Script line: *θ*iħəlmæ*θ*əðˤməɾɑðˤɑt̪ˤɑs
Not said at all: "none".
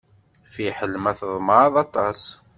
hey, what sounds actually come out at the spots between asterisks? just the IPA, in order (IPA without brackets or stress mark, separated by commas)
f, θ